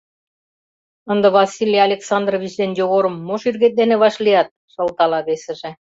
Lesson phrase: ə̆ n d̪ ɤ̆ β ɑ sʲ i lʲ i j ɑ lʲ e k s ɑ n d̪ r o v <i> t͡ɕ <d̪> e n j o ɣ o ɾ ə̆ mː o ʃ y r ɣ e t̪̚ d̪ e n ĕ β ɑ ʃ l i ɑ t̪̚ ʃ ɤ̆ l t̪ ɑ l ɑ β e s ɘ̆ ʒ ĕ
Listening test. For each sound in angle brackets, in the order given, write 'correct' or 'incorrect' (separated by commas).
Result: correct, correct